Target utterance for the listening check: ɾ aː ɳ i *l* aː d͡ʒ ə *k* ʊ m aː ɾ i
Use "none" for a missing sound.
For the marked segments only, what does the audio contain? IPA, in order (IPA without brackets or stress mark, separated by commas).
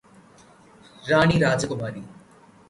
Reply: ɾ, k